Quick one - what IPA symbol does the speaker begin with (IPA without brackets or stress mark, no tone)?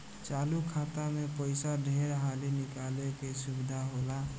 t͡ʃ